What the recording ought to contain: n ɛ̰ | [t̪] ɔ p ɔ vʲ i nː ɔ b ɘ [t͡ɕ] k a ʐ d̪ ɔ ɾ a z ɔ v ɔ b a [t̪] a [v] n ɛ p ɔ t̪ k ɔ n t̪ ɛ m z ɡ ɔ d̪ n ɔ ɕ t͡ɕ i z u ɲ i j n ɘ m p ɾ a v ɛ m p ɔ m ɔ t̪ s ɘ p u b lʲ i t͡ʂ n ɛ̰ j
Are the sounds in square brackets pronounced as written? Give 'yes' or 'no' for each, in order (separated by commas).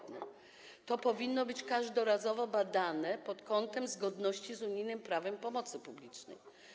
yes, yes, no, no